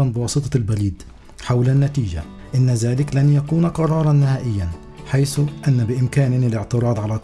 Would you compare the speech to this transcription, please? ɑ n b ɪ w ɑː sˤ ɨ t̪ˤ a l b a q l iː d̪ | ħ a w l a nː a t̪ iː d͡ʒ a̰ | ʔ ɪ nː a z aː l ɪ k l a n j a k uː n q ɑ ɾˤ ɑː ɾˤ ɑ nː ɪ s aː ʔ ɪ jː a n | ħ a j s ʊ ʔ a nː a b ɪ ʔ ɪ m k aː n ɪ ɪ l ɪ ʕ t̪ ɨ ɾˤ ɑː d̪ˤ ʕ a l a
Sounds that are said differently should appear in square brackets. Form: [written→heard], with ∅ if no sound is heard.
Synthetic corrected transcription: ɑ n b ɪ w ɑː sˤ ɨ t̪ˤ [a→ɑ] l b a [q→∅] l iː d̪ | ħ a w l a nː a t̪ iː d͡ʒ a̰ | ʔ ɪ nː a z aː l ɪ k l a n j a k uː n q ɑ ɾˤ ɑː ɾˤ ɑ nː ɪ [s→h] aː ʔ ɪ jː a n | ħ a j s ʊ ʔ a nː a b ɪ ʔ ɪ m k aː n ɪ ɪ l ɪ ʕ t̪ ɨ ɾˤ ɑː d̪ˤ ʕ a l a